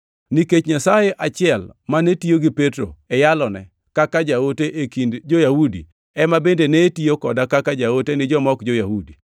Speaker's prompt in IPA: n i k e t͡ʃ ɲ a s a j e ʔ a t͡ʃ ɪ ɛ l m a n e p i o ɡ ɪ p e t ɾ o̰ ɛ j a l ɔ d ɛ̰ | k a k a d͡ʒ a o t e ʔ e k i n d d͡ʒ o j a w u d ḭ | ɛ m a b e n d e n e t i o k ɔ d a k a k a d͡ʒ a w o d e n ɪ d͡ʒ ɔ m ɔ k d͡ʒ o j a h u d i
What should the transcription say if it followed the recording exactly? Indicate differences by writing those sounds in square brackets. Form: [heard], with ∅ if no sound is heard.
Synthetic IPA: n i k e t͡ʃ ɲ a s a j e ʔ a t͡ʃ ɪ ɛ l m a n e [t] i o ɡ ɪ p e t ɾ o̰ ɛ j a l ɔ [n] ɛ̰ | k a k a d͡ʒ a o t e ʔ e k i n d d͡ʒ o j a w u d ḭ | ɛ m a b e n d e n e t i o k ɔ d a k a k a d͡ʒ a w o [t] e n ɪ d͡ʒ ɔ m ɔ k d͡ʒ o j a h u d i